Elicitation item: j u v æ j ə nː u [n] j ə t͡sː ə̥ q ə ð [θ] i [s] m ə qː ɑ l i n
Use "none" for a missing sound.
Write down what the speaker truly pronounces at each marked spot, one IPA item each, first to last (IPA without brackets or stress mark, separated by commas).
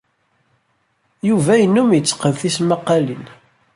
m, θ, s